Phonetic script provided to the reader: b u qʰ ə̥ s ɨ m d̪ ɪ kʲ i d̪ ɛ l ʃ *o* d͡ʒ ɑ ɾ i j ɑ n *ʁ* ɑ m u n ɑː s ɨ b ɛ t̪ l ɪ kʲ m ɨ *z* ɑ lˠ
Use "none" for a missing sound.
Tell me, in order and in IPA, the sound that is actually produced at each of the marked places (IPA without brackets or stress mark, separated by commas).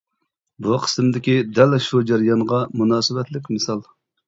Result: u, ʁ, s